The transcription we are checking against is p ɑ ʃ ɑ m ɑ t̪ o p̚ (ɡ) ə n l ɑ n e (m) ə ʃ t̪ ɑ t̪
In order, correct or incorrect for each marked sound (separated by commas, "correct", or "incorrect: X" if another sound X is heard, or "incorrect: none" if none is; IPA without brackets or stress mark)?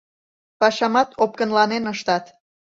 incorrect: k, incorrect: n